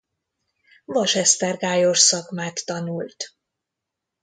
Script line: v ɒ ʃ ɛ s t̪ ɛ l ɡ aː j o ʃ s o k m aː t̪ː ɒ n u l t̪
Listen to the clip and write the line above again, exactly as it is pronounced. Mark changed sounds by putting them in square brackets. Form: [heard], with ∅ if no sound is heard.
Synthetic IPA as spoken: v ɒ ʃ ɛ s t̪ ɛ [r] ɡ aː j o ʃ s [ɒ] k m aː t̪ː ɒ n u l t̪